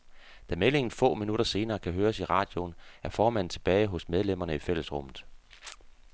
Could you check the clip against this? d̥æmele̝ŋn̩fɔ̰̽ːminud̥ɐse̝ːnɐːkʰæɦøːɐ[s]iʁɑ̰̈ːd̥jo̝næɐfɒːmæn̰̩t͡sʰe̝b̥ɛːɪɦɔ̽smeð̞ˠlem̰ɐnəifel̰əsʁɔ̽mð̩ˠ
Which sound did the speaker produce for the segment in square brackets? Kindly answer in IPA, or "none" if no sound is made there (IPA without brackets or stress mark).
s